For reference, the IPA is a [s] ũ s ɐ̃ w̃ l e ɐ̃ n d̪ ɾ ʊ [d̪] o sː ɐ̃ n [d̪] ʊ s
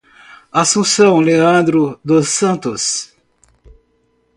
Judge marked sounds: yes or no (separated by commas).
yes, yes, no